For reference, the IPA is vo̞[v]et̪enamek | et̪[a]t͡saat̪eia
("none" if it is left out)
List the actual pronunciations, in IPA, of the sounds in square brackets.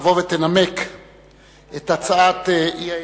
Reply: v, a

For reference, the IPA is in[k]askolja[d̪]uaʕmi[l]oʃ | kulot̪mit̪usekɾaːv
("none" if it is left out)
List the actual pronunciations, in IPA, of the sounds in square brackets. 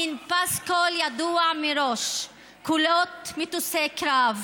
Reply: p, d̪, ɾ

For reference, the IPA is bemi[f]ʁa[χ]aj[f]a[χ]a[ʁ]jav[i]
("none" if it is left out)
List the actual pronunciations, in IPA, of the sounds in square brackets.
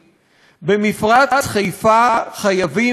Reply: f, χ, f, χ, none, i

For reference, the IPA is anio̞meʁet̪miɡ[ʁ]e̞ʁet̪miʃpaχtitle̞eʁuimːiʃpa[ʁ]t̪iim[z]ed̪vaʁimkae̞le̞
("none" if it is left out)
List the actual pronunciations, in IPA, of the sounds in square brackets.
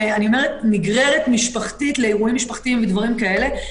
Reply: ʁ, χ, v

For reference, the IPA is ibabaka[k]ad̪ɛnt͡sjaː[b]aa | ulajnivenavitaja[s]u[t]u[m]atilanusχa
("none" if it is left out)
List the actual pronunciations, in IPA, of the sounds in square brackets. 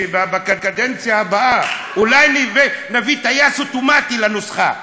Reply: k, b, s, t, m

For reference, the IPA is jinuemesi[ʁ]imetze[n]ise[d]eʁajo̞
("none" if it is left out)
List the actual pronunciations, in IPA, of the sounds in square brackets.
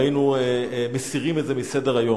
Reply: ʁ, m, d

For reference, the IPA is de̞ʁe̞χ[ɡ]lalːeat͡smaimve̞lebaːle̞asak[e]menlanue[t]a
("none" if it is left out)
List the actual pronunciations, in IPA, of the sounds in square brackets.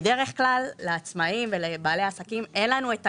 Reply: k, i, t

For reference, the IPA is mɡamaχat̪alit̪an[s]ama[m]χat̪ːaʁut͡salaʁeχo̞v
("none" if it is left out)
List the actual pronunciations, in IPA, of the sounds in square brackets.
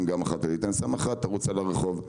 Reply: s, none

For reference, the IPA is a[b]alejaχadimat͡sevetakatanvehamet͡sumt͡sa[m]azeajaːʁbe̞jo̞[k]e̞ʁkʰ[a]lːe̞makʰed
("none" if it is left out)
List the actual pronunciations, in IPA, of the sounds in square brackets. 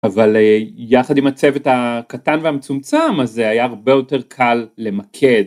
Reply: v, m, t, a

